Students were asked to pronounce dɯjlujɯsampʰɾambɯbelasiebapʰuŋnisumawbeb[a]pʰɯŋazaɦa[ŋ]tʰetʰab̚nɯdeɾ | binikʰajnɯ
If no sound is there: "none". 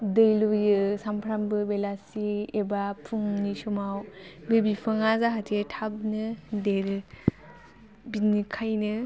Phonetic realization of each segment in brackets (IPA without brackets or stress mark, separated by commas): i, none